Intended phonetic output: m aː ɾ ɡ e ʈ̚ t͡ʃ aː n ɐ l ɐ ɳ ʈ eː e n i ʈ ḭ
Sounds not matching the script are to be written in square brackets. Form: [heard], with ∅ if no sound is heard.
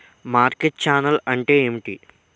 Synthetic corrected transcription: m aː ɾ [k] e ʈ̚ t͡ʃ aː n ɐ l ɐ ɳ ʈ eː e [m] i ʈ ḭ